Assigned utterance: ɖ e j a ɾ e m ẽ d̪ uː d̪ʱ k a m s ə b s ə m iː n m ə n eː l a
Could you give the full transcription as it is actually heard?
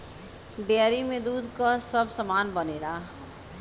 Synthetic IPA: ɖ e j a ɾ i m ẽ d̪ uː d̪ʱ k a s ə b s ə m aː n b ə n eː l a